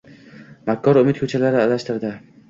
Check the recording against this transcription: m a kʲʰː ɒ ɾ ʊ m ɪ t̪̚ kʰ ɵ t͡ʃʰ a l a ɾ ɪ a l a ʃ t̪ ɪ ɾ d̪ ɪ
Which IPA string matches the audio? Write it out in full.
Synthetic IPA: m a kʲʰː ɒ ɾ ʊ m ɪ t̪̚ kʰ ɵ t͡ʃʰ a l a ɾ ɪ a l a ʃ t̪ ɪ ɾ d̪ ɪ